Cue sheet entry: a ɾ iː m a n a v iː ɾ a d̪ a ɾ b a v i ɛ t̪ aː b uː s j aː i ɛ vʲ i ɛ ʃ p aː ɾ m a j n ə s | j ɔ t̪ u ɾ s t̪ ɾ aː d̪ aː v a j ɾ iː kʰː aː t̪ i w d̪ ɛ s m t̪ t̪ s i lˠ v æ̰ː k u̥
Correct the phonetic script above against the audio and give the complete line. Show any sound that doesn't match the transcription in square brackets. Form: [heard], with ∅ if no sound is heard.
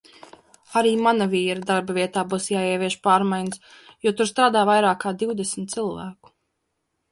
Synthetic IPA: a ɾ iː m a n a v iː ɾ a d̪ a ɾ b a v i ɛ t̪ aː b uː s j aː i ɛ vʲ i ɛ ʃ p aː ɾ m a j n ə s | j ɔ t̪ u ɾ s t̪ ɾ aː d̪ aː v a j ɾ [aː] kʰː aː [d̪] i w d̪ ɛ s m t̪ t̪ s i lˠ v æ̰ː k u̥